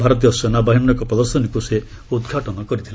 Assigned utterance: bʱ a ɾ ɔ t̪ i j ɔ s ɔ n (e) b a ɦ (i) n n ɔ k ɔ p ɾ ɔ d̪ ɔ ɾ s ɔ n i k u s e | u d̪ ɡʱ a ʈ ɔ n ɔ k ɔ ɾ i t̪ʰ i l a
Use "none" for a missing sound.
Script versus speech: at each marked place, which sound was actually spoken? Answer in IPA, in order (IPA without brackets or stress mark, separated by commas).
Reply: a, i